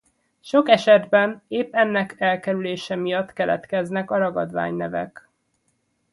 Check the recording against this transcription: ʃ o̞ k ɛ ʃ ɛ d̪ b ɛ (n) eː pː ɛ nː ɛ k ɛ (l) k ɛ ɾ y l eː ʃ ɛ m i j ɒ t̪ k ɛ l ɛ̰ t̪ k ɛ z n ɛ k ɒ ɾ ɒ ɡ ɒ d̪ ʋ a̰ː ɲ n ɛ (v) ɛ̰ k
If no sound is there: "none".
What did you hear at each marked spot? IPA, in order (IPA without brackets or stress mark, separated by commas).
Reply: n, l, v